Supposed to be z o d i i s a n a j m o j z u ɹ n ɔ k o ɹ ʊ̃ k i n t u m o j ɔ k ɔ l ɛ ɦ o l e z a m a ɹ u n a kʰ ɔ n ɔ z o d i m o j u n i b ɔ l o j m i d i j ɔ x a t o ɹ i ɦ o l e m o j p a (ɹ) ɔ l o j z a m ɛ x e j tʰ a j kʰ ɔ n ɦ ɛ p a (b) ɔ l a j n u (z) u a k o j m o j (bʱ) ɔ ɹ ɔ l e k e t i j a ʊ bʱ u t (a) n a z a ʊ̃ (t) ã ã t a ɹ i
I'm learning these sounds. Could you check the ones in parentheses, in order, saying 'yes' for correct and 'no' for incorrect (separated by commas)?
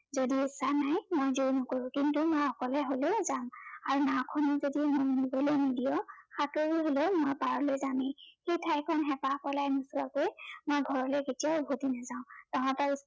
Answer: yes, no, no, no, no, yes